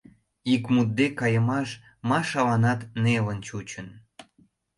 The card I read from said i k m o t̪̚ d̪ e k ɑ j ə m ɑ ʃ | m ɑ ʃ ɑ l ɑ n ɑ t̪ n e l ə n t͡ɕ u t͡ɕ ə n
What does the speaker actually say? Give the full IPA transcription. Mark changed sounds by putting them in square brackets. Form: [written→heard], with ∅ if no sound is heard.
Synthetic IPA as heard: i k m [o→u] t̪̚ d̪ e k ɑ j ə m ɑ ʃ | m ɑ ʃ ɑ l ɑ n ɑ t̪ n e l ə n t͡ɕ u t͡ɕ ə n